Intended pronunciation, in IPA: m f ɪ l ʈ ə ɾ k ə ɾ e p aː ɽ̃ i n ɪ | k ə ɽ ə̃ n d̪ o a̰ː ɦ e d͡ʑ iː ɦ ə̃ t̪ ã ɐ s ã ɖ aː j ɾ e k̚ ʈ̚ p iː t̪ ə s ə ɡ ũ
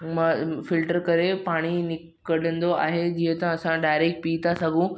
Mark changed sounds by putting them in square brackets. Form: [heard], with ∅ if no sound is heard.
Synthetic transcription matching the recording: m f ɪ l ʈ ə ɾ k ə ɾ e p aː ɽ̃ i n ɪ | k ə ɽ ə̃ n d̪ o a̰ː ɦ e d͡ʑ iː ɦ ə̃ t̪ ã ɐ s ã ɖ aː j ɾ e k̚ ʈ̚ p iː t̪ [a] s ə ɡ ũ